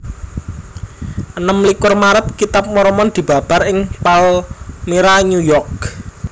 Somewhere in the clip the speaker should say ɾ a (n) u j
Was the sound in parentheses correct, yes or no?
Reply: no